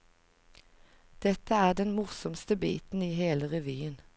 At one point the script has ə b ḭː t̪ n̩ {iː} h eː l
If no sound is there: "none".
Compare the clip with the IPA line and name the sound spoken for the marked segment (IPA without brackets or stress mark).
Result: iː